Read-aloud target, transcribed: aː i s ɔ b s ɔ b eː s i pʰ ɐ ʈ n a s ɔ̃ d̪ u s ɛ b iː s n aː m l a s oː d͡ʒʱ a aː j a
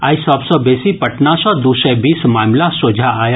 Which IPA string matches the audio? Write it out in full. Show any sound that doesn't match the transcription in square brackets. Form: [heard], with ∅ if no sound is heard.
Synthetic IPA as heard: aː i s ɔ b s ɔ b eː s i [p] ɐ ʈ n a s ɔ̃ d̪ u s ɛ b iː s [m] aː m l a s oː d͡ʒʱ a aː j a